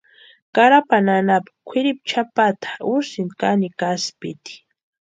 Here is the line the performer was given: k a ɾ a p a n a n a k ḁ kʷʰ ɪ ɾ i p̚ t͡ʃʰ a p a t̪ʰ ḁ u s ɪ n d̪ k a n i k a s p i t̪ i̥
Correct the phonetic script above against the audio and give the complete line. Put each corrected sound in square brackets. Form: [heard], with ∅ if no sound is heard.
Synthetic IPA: k a ɾ a p a n a n a [p] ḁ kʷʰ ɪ ɾ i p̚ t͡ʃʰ a p a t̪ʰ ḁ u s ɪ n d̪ k a n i k a s p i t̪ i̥